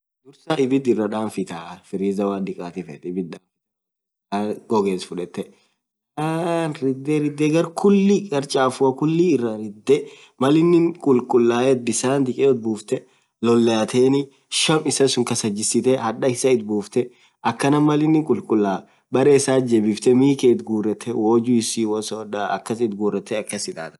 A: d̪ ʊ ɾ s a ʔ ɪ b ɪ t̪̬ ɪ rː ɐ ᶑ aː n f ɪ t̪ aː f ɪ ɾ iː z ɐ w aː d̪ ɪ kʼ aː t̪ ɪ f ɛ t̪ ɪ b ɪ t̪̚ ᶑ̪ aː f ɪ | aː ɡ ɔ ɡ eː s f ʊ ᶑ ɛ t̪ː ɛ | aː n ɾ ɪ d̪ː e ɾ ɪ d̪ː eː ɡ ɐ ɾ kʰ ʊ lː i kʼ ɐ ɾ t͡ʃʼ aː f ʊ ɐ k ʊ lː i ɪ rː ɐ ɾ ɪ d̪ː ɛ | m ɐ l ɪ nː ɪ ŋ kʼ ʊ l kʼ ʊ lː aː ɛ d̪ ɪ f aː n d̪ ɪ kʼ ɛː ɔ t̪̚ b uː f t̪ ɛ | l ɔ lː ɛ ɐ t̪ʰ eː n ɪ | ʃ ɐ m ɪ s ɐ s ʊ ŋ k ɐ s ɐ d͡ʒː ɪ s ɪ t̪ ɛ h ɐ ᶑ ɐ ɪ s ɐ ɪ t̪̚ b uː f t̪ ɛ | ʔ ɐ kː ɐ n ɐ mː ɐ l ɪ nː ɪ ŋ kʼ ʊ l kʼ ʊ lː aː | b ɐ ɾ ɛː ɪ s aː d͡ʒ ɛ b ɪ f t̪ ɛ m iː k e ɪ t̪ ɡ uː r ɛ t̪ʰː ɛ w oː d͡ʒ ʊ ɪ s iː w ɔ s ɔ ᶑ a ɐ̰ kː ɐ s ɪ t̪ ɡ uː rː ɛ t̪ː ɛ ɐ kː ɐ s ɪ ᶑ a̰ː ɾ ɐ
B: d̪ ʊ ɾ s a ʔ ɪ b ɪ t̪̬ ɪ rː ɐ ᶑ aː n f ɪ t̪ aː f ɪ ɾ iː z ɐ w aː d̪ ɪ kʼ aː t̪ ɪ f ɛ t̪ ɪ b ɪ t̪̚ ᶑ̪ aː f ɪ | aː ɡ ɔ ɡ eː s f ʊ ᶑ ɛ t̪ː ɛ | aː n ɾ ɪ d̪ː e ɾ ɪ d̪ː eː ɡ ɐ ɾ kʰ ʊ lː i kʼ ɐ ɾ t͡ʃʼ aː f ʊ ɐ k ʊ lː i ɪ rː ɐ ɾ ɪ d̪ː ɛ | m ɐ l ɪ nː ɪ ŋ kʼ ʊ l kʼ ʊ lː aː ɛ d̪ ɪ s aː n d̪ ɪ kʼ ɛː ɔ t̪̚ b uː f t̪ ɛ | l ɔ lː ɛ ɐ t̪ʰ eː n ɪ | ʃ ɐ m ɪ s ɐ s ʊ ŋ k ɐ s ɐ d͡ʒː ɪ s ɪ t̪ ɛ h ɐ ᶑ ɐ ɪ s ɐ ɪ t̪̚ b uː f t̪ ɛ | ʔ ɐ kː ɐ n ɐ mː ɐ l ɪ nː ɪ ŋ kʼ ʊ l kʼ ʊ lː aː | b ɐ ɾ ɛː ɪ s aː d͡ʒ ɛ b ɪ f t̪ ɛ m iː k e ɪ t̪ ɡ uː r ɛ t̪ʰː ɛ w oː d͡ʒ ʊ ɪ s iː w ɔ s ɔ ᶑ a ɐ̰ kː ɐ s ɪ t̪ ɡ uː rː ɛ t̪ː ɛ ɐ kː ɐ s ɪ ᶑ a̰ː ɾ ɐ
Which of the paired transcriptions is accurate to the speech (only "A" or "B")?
B